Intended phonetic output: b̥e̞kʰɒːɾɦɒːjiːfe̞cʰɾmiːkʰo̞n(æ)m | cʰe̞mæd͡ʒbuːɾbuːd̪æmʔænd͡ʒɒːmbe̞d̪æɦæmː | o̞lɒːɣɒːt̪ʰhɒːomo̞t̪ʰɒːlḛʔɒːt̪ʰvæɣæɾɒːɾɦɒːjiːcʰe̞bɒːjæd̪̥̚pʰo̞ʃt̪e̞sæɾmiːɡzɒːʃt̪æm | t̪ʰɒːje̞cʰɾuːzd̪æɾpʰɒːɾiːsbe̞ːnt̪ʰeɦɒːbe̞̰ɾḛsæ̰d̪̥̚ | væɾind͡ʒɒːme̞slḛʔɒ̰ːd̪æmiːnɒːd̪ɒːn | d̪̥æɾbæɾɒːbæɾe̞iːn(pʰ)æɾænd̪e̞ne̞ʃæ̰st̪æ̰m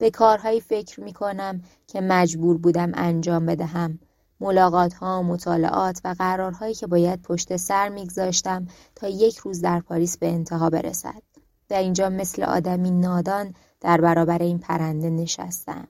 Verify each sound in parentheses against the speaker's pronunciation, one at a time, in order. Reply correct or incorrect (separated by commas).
correct, correct